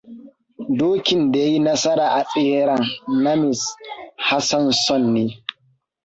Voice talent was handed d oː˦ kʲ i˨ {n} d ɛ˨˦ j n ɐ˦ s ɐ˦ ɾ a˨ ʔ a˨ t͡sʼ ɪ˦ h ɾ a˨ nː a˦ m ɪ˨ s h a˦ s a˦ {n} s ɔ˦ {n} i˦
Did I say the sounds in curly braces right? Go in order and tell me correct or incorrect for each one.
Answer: correct, correct, incorrect: nː

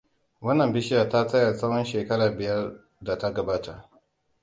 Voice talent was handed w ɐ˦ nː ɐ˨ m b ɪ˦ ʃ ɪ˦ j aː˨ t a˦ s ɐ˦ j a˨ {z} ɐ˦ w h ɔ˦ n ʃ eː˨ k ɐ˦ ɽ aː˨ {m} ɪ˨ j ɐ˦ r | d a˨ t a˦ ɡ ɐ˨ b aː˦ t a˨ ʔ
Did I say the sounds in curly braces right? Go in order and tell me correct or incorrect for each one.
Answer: incorrect: s, incorrect: b

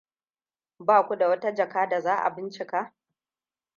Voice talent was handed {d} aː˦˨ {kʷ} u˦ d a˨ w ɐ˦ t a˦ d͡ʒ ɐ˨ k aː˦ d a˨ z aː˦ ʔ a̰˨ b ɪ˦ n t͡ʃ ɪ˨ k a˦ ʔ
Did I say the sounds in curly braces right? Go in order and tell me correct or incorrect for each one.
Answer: incorrect: b, correct

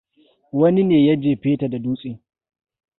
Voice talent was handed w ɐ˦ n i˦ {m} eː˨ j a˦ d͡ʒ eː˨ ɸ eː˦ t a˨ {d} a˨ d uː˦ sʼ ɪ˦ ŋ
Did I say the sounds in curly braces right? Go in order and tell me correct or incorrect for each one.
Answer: incorrect: n, correct

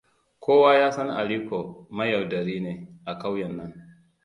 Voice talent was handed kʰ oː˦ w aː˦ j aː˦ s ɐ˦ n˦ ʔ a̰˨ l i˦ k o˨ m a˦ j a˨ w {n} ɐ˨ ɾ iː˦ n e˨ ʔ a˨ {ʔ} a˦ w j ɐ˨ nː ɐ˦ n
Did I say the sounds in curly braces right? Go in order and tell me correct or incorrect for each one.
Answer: incorrect: d, incorrect: k

